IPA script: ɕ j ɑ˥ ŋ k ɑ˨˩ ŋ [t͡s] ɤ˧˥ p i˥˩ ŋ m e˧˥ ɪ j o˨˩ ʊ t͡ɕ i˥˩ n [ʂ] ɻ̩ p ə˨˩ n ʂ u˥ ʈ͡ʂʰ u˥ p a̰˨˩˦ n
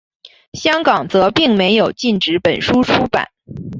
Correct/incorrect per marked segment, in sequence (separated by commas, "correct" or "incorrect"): correct, incorrect